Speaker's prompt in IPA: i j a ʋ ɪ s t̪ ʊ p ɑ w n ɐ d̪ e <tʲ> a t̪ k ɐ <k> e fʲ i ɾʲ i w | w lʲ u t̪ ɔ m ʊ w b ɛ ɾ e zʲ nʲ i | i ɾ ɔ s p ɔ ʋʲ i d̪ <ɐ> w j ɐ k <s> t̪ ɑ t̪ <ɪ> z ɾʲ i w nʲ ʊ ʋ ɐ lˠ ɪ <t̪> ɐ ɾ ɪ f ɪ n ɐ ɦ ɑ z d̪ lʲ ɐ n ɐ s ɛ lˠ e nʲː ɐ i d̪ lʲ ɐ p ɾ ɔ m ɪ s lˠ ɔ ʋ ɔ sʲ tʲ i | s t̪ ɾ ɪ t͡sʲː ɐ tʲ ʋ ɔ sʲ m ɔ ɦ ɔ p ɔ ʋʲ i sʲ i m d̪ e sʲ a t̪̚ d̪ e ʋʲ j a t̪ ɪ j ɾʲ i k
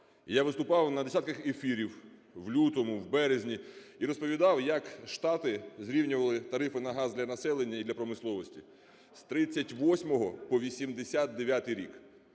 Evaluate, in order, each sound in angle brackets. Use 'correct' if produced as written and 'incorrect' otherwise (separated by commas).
incorrect, incorrect, incorrect, incorrect, correct, correct